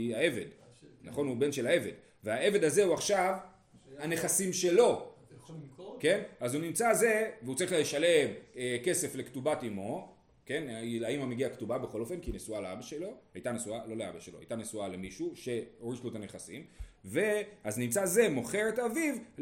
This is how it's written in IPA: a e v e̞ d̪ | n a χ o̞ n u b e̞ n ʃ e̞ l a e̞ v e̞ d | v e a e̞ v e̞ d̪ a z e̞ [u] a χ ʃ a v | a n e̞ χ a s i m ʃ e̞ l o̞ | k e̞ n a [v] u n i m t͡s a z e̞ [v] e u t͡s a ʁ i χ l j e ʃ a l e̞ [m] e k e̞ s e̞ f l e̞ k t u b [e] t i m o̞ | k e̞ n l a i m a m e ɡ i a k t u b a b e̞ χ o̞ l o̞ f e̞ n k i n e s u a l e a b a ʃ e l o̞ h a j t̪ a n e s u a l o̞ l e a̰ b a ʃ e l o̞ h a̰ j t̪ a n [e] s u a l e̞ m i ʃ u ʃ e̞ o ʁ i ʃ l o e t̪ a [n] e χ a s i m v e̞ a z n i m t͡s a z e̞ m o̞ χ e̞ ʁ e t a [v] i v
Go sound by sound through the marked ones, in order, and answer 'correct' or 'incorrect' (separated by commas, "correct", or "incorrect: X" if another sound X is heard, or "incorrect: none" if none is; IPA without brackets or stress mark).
correct, incorrect: z, correct, correct, incorrect: a, correct, correct, correct